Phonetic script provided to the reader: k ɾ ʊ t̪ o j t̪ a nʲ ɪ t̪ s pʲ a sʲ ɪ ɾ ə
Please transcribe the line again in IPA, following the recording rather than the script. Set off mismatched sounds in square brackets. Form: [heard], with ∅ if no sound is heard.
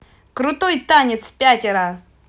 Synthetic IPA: k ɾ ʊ t̪ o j t̪ a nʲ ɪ t̪ s pʲ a [tʲ] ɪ ɾ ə